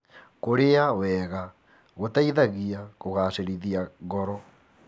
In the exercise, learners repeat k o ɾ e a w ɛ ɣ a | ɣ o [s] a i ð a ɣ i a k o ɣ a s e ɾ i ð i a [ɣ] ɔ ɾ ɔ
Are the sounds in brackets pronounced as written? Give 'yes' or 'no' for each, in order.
no, yes

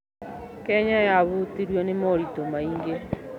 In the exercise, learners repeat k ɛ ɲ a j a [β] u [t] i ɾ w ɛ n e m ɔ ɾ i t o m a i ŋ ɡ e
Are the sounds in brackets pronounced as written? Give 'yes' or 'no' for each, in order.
yes, yes

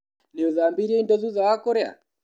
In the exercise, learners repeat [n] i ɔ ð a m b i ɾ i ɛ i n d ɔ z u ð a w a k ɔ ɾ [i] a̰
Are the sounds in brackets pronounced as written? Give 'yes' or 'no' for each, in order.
yes, no

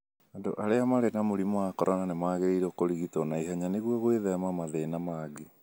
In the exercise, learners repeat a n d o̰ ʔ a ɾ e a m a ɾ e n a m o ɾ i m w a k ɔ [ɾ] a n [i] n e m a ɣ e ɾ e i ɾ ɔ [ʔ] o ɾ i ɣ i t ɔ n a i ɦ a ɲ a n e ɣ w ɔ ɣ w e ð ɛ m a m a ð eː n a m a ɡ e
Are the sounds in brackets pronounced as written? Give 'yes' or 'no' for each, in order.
yes, no, no

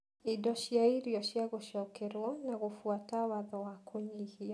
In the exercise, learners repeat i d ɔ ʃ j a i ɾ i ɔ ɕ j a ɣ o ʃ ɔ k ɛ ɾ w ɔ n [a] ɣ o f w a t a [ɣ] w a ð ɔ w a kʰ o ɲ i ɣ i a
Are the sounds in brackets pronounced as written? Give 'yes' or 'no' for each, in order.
yes, no

